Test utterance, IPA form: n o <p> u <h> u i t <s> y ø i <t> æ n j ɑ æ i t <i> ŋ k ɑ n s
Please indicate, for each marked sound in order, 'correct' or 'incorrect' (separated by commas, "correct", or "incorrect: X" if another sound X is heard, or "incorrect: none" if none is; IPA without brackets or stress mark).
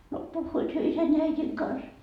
correct, incorrect: hː, incorrect: h, incorrect: s, correct